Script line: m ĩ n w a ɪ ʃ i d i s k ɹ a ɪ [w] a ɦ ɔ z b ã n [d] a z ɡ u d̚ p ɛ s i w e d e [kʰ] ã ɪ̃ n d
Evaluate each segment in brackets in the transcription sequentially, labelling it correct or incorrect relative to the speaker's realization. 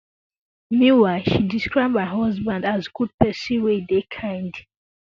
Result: incorrect: b, correct, correct

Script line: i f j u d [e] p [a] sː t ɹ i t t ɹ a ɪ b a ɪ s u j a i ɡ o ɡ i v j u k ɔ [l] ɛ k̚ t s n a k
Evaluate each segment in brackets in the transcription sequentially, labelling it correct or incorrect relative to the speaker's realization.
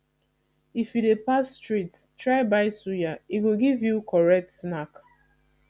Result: correct, correct, incorrect: ɹ

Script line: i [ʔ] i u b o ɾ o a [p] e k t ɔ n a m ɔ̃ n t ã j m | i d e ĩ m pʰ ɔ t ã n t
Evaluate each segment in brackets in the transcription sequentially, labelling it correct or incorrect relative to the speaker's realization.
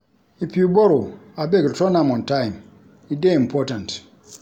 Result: incorrect: p, incorrect: b

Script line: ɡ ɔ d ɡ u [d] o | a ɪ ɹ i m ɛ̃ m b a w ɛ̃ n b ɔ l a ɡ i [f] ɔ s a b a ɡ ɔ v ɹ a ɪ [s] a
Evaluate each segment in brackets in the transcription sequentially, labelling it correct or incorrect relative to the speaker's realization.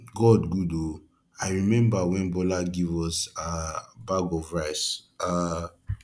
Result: correct, incorrect: v, correct

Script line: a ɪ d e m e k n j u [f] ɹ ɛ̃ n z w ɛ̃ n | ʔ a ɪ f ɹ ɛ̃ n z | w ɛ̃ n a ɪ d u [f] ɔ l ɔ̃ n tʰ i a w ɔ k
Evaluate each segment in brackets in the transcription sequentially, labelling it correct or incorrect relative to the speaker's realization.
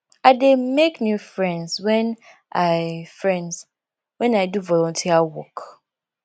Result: correct, incorrect: v

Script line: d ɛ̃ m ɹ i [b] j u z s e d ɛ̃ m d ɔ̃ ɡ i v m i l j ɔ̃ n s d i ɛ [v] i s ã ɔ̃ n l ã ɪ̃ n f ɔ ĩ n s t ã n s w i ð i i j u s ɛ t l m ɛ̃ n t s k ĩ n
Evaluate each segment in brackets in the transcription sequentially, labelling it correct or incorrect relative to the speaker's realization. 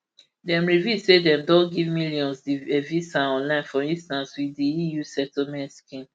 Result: incorrect: v, correct

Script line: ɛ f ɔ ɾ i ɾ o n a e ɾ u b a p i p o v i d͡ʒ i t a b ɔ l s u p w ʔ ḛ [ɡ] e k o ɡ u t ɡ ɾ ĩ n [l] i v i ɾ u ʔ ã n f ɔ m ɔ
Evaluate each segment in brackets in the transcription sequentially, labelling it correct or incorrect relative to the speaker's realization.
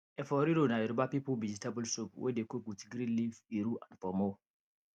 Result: incorrect: d, correct

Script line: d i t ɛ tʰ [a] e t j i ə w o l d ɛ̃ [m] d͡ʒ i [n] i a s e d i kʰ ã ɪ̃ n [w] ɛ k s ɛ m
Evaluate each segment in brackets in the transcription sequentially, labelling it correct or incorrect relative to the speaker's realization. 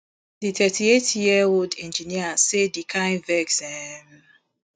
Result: incorrect: i, incorrect: n, correct, incorrect: v

